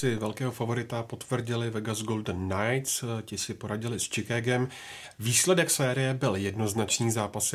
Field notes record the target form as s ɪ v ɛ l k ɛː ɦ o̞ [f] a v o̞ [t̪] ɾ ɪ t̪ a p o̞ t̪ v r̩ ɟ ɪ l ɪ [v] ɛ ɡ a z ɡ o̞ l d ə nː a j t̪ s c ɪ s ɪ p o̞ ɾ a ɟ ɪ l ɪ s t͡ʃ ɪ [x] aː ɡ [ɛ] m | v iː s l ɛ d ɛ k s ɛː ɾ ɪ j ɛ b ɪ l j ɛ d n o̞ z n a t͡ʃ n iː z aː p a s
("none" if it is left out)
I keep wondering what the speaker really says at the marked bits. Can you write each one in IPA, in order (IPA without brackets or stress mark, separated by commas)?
f, none, v, k, ɛ